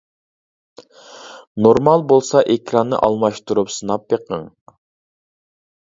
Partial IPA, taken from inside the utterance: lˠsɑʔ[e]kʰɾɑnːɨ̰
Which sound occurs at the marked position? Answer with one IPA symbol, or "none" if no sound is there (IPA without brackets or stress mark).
e